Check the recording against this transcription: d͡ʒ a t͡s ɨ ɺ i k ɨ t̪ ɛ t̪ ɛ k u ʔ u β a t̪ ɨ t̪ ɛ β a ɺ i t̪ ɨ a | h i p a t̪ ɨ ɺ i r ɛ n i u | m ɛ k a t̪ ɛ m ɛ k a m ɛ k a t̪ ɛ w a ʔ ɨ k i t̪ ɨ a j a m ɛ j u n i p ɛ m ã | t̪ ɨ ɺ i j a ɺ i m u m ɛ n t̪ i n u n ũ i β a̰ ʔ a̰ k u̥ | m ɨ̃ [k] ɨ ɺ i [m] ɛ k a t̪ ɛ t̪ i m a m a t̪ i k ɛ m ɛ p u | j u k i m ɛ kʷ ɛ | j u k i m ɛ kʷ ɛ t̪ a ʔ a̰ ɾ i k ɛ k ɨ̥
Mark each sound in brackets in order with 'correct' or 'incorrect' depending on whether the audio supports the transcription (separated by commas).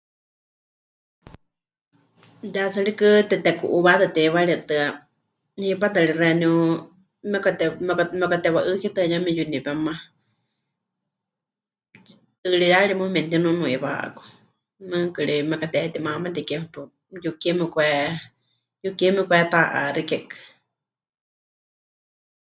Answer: correct, correct